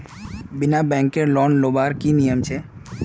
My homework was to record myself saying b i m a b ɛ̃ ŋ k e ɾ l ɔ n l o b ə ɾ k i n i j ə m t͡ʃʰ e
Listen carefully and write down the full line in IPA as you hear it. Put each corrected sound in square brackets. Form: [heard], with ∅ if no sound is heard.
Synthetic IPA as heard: b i [n] a b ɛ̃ ŋ k e ɾ l ɔ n l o b [a] ɾ k i n i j ə m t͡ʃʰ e